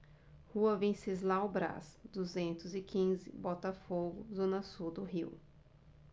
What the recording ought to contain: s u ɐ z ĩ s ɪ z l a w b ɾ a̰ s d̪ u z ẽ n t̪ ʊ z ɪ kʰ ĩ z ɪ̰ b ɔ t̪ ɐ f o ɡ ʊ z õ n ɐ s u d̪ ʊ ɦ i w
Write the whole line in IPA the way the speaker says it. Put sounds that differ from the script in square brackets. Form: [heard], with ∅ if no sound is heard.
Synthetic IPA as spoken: [h] u ɐ [v] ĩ s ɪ z l a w b ɾ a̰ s d̪ u z ẽ n t̪ ʊ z ɪ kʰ ĩ z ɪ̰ b ɔ t̪ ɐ f o ɡ ʊ z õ n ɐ s u d̪ ʊ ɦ i w